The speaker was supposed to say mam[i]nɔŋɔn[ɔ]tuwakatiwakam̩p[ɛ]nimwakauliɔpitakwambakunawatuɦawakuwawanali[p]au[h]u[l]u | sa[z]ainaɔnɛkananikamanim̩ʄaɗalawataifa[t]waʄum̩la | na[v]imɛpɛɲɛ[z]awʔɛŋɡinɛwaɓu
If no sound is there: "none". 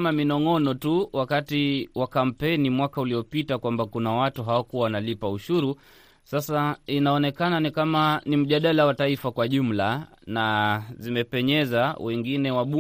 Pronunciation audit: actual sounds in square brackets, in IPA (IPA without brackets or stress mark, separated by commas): i, ɔ, ɛ, p, ʃ, ɾ, s, k, z, z